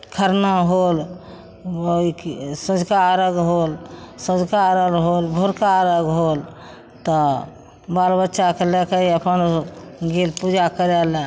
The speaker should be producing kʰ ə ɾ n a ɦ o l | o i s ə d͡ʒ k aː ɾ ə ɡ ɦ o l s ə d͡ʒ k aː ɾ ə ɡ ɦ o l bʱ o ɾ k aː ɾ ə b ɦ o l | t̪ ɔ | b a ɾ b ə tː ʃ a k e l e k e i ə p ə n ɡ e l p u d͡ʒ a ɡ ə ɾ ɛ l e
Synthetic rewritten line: kʰ ə ɾ n a ɦ o l | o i s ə d͡ʒ k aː ɾ ə ɡ ɦ o l s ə d͡ʒ k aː ɾ ə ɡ ɦ o l bʱ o ɾ k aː ɾ ə ɡ ɦ o l | t̪ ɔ | b a l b ə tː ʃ a k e l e k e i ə p ə n ɡ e l p u d͡ʒ a k ə ɾ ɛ l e